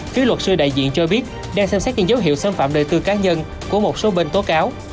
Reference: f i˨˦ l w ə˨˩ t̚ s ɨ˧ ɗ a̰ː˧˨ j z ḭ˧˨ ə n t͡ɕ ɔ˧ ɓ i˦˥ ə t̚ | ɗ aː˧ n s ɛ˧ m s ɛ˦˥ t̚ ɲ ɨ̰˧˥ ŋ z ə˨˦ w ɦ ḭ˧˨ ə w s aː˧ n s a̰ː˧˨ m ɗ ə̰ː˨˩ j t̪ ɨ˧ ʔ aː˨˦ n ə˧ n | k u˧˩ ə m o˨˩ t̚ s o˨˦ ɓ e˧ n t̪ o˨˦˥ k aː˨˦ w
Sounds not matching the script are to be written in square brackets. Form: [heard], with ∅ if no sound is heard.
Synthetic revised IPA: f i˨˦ l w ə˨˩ t̚ s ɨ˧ ɗ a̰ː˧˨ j z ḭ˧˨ ə n t͡ɕ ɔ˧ ɓ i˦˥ ə t̚ | ɗ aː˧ [ŋ] s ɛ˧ m s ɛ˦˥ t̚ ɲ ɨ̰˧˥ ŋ z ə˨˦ w ɦ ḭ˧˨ ə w s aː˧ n [f] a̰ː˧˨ m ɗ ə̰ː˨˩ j t̪ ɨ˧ [k] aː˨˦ [ɲ] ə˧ n | k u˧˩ ə m o˨˩ t̚ s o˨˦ ɓ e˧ n t̪ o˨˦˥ k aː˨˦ w